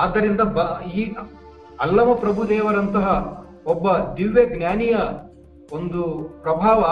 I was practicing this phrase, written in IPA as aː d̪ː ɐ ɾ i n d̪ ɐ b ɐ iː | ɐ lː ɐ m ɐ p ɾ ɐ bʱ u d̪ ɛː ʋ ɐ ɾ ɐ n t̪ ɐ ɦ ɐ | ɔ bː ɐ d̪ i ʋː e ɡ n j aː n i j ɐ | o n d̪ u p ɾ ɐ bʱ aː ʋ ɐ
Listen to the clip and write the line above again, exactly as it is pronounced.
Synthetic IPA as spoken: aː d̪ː ɐ ɾ i n d̪ ɐ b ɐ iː | ɐ lː ɐ m ɐ p ɾ ɐ bʱ u d̪ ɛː ʋ ɐ ɾ ɐ n t̪ ɐ ɦ ɐ | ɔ bː ɐ d̪ i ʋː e ɡ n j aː n i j ɐ | o n d̪ u p ɾ ɐ bʱ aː ʋ ɐ